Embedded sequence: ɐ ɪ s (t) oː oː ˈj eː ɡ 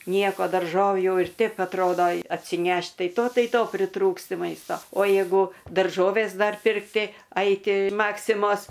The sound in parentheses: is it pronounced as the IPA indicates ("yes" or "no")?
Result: yes